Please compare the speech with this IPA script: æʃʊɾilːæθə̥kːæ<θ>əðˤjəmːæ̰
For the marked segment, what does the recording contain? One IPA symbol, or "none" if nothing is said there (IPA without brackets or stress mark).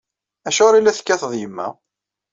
θ